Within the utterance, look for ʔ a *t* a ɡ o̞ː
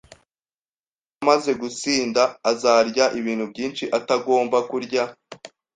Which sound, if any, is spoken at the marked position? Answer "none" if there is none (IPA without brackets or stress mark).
t